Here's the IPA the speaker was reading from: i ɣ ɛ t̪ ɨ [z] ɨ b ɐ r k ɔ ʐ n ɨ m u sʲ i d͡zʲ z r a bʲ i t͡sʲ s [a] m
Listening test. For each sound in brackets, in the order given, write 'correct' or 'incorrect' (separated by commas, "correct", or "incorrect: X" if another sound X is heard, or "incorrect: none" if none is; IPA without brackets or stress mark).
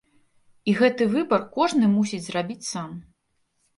incorrect: v, correct